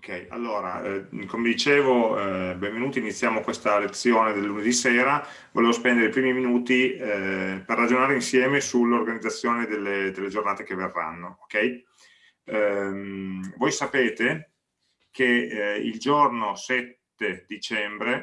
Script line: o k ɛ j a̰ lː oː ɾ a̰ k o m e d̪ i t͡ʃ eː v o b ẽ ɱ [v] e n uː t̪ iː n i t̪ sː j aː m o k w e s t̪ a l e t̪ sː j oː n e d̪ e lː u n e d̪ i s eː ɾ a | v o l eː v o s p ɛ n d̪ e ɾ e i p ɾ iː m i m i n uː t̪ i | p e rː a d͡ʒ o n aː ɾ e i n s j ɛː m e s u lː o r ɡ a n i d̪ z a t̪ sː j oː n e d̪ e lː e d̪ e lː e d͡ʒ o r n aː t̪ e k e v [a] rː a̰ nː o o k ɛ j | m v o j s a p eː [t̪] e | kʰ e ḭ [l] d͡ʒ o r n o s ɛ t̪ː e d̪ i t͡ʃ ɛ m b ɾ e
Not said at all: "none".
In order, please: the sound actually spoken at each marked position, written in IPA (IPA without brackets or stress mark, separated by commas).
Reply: v, e, t̪, l